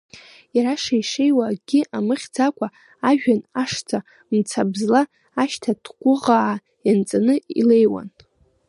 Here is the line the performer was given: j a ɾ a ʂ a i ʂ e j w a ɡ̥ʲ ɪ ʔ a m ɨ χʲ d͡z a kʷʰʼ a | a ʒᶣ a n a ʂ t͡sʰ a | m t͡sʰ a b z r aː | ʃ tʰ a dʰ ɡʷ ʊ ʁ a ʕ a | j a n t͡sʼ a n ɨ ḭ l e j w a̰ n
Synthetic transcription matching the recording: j a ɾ a ʂ a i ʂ e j w a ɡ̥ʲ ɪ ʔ a m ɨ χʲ d͡z a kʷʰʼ a | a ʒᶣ a n a ʂ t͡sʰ a | m t͡sʰ a b z l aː | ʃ tʰ a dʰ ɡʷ ʊ ʁ a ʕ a | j a n t͡sʼ a n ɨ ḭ l e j w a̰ n